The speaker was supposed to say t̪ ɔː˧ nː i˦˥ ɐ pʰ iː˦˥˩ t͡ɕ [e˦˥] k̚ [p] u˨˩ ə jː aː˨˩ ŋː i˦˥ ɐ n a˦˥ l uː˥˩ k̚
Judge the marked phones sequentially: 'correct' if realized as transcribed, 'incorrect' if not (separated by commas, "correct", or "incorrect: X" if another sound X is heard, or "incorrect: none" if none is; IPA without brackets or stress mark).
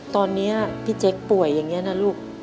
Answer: correct, correct